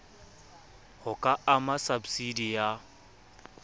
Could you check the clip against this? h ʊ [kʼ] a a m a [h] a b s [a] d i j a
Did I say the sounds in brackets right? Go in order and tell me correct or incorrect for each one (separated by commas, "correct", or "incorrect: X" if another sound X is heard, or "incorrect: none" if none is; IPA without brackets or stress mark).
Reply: correct, incorrect: s, incorrect: i